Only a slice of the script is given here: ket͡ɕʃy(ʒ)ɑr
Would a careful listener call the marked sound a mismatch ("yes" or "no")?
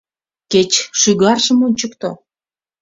yes